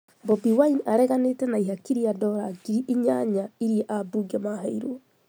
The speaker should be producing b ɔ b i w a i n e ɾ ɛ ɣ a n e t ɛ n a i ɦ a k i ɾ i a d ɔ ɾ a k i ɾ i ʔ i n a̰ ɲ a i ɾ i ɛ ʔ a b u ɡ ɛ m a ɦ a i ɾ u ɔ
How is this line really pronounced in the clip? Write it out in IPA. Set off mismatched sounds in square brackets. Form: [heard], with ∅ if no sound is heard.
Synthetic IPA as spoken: b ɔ b i w a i n [a] ɾ ɛ ɣ a n e t ɛ n a i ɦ a k i ɾ i a d ɔ ɾ a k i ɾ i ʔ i [ɲ] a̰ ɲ a i ɾ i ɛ ʔ a b u ɡ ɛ m a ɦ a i ɾ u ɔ